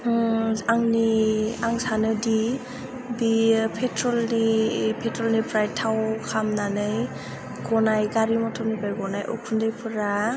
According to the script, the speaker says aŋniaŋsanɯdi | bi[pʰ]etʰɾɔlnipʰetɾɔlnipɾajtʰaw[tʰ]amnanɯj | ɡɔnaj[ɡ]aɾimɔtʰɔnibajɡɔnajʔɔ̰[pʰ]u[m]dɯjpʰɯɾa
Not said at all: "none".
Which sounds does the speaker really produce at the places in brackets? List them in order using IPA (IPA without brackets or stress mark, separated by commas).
pʰ, kʰ, ɡ, kʰ, n